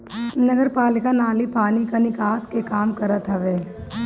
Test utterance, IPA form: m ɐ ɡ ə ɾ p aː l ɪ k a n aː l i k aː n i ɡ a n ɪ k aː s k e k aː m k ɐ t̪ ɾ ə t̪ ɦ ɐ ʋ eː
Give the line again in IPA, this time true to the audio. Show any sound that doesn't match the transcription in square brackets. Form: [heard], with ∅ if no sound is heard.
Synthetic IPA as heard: [n] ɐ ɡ ə ɾ p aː l ɪ k a n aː l i [p] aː n i [k] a n ɪ k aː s k e k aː m k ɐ [∅] ɾ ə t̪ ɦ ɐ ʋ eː

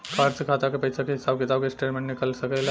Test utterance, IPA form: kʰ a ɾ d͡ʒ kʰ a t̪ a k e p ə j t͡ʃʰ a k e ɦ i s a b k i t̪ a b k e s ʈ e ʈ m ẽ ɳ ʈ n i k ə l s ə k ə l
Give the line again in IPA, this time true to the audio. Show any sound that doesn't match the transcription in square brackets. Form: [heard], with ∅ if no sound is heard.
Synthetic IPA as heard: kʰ a ɾ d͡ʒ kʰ a t̪ a k e p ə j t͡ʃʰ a k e ɦ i s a b k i t̪ a b k e s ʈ e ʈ m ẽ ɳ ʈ n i k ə l s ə k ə l

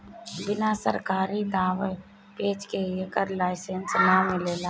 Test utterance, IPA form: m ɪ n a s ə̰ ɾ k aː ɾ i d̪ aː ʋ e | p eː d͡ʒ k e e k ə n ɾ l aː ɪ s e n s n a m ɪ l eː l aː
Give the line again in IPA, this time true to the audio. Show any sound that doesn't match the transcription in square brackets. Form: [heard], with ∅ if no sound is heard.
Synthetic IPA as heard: [b] ɪ n a s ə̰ ɾ k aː ɾ i d̪ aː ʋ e | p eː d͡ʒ k e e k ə [∅] ɾ l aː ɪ s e n s n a m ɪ l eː l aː

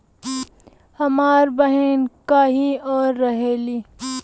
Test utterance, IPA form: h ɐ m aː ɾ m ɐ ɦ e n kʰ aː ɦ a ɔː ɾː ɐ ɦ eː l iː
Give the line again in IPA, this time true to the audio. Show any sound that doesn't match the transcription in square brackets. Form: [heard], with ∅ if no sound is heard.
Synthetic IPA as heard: h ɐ m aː ɾ [b] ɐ ɦ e n [k] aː ɦ [i] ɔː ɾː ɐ ɦ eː l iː

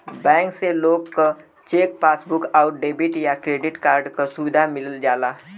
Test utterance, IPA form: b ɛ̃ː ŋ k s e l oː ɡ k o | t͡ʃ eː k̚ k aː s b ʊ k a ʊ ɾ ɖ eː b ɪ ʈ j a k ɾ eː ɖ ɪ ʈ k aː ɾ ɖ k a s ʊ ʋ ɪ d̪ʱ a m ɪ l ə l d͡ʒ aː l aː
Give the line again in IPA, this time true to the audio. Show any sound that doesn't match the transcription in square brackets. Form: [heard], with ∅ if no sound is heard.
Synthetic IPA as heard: b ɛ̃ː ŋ k s e l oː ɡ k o | t͡ʃ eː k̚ [p] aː s b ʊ k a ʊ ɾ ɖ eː b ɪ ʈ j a k ɾ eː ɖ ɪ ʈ k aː ɾ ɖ k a s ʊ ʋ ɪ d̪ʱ a m ɪ l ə l d͡ʒ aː l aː

